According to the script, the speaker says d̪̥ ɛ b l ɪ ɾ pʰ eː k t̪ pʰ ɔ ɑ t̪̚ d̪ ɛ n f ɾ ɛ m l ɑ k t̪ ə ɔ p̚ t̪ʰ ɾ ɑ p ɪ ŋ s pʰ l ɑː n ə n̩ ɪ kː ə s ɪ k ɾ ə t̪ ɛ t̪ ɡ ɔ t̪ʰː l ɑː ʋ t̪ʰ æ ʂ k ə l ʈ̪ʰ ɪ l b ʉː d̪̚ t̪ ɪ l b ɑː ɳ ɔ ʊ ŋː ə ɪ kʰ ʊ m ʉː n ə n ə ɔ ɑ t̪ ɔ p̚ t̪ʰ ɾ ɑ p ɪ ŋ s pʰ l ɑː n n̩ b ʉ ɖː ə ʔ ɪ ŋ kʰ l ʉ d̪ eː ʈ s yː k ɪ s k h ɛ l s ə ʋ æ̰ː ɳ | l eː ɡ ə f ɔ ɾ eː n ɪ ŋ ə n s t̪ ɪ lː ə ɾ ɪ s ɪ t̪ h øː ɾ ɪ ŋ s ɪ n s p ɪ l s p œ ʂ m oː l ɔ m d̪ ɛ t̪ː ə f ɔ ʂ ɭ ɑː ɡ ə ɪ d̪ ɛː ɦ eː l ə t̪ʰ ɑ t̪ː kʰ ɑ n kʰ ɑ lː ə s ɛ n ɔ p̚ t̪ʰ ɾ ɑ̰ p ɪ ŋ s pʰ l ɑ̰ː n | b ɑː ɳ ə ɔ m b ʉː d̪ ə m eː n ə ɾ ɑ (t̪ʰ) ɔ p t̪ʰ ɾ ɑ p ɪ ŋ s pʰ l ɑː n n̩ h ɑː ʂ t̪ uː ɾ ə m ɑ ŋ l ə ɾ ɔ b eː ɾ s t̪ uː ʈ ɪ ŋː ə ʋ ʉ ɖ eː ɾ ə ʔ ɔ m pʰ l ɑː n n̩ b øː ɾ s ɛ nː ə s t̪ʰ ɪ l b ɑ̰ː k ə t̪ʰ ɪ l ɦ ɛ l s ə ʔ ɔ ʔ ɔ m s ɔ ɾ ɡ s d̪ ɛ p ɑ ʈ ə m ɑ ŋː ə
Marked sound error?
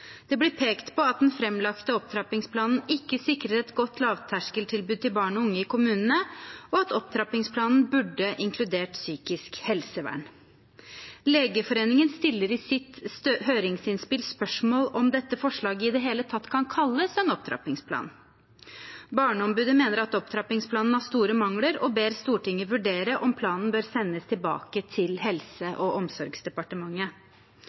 yes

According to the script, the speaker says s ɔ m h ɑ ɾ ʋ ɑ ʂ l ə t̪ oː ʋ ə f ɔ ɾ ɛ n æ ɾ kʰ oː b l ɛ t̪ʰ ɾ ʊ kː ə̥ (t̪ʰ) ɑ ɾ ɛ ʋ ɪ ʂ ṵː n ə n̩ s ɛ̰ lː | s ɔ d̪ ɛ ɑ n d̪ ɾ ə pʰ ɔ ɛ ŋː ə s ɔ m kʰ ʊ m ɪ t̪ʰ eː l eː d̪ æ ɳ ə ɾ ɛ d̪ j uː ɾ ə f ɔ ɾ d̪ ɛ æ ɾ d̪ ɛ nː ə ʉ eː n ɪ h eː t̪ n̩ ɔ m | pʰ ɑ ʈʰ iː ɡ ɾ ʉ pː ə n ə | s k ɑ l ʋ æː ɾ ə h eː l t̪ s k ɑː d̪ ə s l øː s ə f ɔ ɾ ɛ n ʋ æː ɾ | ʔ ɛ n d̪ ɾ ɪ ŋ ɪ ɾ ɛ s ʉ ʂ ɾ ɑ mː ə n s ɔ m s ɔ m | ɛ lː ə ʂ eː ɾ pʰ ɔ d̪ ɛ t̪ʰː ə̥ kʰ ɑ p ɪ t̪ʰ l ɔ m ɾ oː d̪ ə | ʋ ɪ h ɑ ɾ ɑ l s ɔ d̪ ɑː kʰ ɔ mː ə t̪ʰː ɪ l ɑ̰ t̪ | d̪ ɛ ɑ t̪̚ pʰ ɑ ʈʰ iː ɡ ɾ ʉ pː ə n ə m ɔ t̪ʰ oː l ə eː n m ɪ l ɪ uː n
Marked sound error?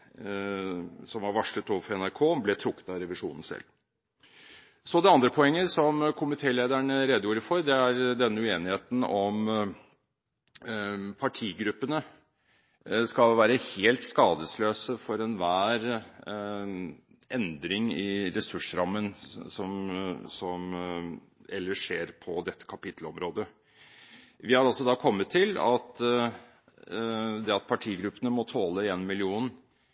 yes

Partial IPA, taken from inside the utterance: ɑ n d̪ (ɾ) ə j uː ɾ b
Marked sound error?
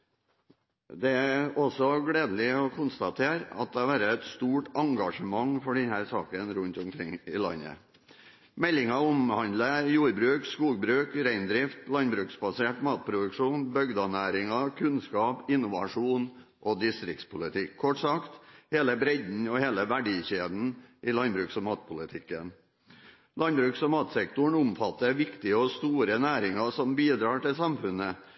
yes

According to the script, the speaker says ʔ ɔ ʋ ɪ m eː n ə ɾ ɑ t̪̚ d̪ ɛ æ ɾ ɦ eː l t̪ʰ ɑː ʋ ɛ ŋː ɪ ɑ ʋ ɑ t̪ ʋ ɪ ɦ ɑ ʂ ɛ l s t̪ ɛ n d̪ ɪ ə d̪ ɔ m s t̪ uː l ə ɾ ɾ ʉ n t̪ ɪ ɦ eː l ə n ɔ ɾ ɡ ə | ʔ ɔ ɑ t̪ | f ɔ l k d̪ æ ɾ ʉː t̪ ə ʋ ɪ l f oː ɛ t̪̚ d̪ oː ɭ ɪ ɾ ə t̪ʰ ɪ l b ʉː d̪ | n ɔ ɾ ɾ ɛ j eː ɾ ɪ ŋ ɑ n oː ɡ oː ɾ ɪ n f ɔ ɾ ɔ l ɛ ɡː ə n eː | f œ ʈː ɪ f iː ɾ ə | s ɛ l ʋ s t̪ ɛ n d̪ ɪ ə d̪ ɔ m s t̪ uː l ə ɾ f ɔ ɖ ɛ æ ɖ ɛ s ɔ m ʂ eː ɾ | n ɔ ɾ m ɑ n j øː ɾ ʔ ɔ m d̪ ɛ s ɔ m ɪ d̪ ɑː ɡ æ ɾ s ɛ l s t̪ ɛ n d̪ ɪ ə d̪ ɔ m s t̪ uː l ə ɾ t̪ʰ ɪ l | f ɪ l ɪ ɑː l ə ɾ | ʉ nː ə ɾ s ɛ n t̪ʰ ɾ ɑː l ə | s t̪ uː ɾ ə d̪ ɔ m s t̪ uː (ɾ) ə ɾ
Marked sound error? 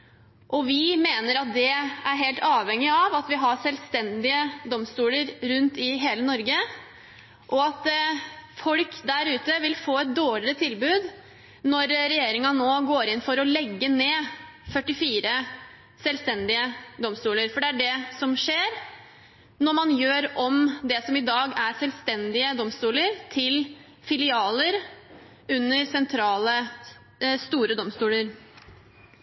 yes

